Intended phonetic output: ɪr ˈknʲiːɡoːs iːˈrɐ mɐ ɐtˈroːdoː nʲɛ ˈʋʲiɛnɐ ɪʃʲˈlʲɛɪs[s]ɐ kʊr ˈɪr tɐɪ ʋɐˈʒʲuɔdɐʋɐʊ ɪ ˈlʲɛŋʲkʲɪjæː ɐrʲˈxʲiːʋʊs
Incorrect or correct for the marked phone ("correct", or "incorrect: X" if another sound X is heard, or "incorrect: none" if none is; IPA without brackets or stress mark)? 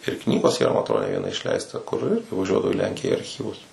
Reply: incorrect: t